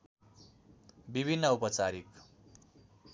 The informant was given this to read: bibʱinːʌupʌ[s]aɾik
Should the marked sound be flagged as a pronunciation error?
yes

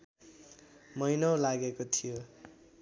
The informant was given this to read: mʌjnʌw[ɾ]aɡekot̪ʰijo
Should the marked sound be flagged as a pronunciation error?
yes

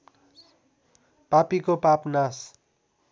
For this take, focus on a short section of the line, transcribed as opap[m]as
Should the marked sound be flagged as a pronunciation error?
yes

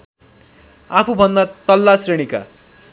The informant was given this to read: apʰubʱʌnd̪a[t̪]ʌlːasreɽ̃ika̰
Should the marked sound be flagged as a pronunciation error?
no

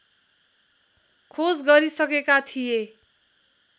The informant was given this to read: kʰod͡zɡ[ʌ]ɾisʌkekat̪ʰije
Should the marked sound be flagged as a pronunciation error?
no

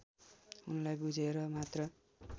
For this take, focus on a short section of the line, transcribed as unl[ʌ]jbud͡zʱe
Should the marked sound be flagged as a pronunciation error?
yes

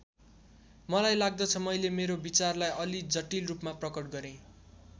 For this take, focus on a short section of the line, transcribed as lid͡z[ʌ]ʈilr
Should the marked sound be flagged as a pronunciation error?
no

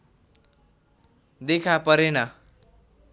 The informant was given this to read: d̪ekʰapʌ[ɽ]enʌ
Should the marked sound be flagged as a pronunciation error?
yes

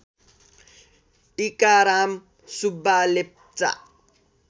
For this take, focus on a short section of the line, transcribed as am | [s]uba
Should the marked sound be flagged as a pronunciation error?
no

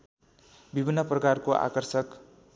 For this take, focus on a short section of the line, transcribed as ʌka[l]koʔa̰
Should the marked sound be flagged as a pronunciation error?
yes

